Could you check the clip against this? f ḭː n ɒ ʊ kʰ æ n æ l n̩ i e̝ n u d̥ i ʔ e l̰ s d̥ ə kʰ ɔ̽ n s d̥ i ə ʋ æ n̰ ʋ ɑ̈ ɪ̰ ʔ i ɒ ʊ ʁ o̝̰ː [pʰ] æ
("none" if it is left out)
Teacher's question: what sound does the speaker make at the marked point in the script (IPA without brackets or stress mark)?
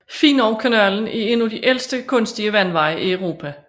pʰ